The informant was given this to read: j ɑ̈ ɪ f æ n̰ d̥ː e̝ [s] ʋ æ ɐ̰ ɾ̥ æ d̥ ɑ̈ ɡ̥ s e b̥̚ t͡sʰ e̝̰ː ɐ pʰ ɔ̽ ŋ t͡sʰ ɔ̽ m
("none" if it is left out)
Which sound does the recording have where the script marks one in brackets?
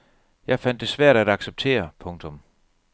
s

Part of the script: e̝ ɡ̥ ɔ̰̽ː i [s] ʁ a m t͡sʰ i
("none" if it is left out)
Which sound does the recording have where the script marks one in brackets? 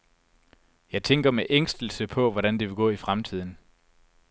f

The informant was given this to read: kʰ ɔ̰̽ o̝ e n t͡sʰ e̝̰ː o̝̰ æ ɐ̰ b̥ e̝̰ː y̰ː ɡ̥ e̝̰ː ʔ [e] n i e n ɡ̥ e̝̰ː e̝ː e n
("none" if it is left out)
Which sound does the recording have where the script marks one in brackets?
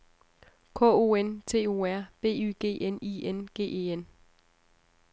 e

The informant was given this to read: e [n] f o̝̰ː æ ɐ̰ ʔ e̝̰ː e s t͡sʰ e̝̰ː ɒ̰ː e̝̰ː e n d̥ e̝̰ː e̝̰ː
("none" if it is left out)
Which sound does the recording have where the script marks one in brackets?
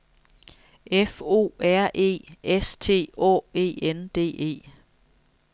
none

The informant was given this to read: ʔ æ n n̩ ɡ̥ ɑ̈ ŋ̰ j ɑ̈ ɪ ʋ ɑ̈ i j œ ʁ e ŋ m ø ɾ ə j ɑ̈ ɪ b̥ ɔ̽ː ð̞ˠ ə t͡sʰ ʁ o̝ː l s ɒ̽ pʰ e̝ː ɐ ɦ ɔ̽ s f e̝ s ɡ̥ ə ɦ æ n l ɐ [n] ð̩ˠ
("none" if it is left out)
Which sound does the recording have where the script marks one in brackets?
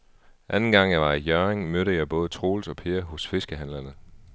n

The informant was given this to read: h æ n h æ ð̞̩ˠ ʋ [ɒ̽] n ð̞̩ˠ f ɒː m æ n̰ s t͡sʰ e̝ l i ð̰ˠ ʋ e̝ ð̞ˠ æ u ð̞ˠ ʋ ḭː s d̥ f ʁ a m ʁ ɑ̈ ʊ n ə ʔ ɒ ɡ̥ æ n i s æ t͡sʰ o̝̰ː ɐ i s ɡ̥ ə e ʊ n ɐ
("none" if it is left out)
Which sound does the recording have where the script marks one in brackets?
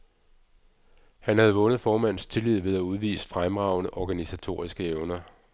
ɔ̽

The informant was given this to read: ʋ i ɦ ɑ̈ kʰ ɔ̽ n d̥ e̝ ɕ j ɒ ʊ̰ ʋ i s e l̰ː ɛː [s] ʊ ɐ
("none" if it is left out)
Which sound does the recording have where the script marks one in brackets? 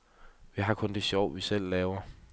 none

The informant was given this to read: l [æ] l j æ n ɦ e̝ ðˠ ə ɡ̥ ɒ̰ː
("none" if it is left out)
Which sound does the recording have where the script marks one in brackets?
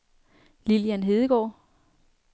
i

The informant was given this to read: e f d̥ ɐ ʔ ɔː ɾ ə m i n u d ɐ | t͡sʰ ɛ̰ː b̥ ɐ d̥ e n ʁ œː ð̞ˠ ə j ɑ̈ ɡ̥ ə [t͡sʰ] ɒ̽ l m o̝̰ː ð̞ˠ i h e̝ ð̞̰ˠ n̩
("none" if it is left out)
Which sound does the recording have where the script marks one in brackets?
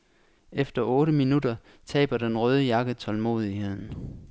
t͡sʰ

